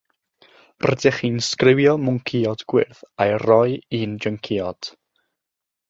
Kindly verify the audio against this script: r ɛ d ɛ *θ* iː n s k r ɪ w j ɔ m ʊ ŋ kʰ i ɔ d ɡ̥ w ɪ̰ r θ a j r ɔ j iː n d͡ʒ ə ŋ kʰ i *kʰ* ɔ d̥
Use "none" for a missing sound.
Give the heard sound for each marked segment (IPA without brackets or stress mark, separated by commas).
χ, none